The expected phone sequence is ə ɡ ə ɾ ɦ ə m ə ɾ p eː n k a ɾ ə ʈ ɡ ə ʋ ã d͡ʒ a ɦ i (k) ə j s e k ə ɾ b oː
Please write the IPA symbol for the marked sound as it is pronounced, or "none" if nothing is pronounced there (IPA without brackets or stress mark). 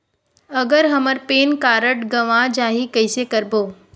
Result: k